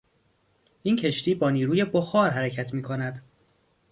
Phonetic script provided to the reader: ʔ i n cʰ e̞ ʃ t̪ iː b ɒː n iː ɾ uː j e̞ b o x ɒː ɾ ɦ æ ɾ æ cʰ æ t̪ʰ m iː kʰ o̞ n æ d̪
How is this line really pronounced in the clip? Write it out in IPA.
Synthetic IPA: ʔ i n cʰ e̞ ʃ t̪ iː b ɒː n iː ɾ uː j e̞ b o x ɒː ɾ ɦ æ ɾ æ cʰ æ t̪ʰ m iː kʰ o̞ n æ d̪